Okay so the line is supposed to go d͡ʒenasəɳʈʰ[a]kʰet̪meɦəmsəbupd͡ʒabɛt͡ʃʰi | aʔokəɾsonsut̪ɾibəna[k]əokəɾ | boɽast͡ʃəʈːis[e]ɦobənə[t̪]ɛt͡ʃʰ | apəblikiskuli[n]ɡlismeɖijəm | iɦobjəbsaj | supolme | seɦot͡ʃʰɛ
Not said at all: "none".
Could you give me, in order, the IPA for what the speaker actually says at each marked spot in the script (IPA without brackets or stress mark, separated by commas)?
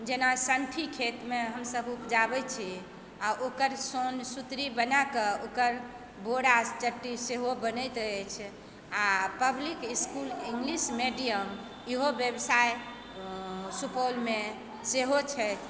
i, k, e, t̪, ŋ